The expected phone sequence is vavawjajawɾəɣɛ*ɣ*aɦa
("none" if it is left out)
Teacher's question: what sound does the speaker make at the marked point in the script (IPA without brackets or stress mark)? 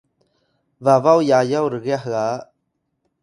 none